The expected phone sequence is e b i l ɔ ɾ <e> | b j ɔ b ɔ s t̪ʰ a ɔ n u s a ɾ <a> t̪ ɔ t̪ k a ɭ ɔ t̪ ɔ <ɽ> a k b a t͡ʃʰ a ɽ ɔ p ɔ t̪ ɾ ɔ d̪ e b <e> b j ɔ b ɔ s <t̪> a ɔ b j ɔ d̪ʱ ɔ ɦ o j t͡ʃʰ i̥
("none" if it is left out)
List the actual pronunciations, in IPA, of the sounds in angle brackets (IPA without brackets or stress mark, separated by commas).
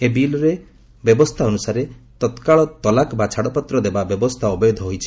e, e, l, a, t̪ʰ